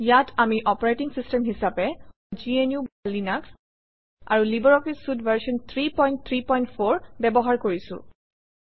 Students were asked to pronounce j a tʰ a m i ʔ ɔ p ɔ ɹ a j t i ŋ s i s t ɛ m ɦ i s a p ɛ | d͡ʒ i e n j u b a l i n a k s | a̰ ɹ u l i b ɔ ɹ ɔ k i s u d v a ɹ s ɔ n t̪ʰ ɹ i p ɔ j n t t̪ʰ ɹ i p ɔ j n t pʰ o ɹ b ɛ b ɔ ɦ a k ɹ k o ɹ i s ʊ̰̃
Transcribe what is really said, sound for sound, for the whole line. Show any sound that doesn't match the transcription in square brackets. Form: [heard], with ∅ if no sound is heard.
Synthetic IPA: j a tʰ a m i ʔ ɔ p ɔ ɹ a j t i ŋ s i s t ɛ m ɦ i s a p ɛ | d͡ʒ i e n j u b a l i n a k s | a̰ ɹ u l i b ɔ ɹ ɔ k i s u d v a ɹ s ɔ n t̪ʰ ɹ i p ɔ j n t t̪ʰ ɹ i p ɔ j n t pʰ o ɹ b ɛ b ɔ ɦ a [∅] ɹ k o ɹ i s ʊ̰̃